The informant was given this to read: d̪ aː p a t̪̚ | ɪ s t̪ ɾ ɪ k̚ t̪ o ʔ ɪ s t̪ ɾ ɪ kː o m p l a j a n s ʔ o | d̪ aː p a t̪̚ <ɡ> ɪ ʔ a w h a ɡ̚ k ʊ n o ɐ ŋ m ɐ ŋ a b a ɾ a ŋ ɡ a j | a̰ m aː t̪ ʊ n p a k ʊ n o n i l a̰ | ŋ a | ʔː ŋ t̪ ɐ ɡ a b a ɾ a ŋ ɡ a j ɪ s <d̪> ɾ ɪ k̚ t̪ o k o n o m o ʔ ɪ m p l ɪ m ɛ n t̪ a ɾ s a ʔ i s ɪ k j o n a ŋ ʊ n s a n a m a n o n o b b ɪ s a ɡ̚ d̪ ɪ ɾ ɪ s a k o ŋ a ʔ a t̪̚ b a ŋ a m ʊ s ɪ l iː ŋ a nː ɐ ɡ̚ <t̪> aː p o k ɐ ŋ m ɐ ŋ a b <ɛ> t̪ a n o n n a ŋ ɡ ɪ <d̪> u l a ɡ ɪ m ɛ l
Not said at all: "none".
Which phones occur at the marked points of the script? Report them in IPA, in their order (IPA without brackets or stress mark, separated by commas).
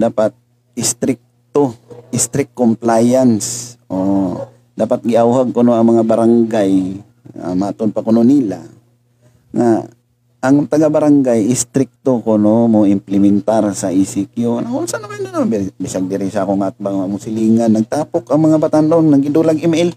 ɡ, t̪, t̪, a, d̪